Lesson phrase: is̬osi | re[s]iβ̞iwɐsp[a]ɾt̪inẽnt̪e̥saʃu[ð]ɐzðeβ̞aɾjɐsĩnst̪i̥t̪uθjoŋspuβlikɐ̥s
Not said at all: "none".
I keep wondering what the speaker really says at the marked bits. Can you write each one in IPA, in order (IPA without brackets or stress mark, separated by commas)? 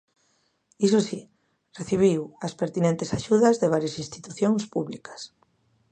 θ, e, ð